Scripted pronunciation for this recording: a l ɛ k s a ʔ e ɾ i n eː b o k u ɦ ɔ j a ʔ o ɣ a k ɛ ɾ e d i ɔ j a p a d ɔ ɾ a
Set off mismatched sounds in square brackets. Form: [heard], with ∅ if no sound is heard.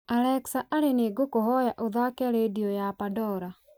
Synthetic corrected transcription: a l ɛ k s a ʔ [a] ɾ [e] n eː [ɡ] o k [o] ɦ ɔ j a ʔ o [ð] a k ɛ ɾ e d i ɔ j a p a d ɔ ɾ a